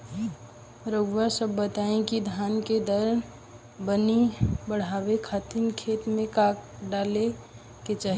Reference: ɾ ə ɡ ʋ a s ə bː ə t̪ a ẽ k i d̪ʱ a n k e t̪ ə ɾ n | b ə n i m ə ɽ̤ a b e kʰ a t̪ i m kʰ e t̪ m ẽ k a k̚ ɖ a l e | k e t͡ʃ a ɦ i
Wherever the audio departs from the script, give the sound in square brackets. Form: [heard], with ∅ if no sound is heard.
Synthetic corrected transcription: ɾ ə ɡ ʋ a s ə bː ə t̪ a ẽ k i d̪ʱ a n k e [d̪] ə ɾ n | b ə n i [b] ə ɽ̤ a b e kʰ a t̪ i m kʰ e t̪ m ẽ k a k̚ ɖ a l e | k e t͡ʃ a ɦ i